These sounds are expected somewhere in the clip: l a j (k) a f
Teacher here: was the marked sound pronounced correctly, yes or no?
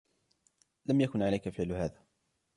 yes